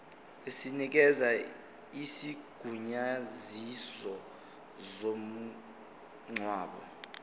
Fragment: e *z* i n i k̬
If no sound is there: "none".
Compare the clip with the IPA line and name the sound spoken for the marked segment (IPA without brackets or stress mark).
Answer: s